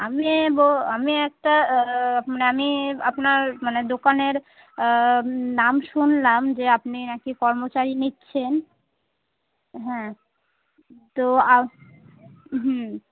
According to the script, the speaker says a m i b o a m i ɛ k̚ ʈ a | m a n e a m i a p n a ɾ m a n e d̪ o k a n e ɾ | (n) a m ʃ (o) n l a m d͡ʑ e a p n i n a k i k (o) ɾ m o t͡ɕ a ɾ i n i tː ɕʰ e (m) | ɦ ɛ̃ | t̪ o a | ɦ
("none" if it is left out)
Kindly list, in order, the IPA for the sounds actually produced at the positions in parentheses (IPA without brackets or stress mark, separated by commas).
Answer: n, u, ɔ, n